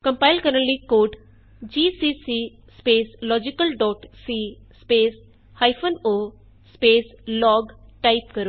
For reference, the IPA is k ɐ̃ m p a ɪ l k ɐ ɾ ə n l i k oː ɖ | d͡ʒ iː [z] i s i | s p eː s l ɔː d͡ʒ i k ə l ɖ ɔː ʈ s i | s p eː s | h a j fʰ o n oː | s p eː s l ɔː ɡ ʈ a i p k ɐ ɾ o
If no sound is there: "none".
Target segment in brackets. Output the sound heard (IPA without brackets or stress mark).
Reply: s